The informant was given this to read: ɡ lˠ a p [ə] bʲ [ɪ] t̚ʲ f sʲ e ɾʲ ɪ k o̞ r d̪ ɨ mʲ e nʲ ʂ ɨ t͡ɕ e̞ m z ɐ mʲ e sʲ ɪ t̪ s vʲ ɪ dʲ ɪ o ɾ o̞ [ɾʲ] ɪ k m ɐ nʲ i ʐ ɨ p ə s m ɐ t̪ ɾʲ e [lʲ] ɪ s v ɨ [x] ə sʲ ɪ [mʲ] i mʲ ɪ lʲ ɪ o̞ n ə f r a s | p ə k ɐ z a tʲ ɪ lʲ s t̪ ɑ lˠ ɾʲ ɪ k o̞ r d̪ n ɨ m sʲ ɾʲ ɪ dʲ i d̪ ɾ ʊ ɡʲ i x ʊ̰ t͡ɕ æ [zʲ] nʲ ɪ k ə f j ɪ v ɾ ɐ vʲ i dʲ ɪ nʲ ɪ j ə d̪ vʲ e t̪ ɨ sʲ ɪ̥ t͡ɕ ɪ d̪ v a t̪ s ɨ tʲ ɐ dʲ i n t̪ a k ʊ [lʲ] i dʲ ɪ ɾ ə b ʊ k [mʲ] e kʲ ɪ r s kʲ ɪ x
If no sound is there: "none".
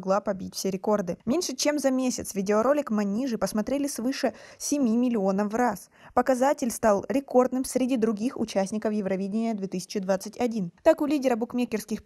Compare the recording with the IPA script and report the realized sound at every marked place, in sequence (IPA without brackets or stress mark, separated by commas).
ɐ, i, lʲ, lʲ, ʂ, mʲ, sʲ, lʲ, mʲ